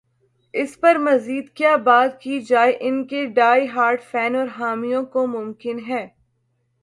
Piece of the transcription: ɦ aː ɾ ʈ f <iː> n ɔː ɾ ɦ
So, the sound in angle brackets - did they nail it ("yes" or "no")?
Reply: no